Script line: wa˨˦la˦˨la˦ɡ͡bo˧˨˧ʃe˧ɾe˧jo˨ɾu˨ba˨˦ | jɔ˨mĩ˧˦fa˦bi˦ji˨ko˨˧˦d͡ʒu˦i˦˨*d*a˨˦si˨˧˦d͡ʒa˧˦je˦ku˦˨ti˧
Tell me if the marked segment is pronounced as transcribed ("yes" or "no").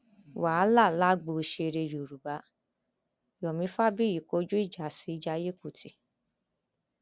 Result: no